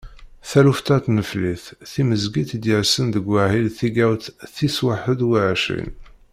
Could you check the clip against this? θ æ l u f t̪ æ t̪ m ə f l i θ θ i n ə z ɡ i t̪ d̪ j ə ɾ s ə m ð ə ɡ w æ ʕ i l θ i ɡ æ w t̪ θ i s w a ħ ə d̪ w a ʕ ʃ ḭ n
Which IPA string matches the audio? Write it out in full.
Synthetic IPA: θ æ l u f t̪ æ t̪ n ə f l i θ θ i m ə z ɡ i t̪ d̪ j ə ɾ s ə n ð ə ɡ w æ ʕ i l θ i ɡ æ w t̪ θ i s w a ħ ə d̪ w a ʕ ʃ ḭ n